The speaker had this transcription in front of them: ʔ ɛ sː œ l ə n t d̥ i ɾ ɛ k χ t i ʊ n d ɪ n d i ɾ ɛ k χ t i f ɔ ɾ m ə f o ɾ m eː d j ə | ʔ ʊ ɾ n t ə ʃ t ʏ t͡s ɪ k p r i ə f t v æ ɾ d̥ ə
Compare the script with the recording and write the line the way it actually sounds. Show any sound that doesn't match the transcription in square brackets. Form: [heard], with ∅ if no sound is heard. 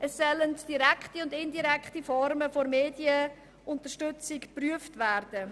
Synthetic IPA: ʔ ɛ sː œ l ə n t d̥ i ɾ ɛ k χ t i ʊ n d ɪ n d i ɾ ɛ k χ t i f ɔ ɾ m ə f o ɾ m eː d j ə | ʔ ʊ [∅] n t ə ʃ t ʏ t͡s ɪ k p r [y] ə f t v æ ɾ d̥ ə